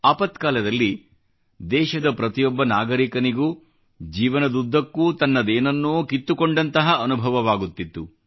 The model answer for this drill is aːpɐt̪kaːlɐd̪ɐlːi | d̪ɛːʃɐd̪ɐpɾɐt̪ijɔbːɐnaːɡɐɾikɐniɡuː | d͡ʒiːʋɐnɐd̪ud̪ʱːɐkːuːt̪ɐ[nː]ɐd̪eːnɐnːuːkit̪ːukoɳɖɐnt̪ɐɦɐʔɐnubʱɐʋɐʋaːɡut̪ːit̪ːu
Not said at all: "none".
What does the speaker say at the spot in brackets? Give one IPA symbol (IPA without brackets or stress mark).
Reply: nː